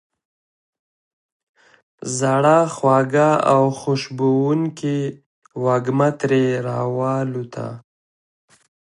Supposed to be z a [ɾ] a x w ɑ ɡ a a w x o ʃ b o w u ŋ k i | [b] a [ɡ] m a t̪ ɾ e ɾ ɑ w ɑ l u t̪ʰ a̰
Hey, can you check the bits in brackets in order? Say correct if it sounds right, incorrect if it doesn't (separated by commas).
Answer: incorrect, incorrect, correct